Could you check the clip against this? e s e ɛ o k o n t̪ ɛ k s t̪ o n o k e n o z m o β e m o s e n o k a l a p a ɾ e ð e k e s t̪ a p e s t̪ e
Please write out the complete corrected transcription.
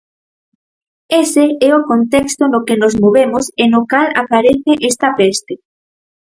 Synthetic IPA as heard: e s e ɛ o k o n t̪ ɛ k s t̪ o n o k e n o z m o β e m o s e n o k a l a p a ɾ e θ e ʔ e s t̪ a p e s t̪ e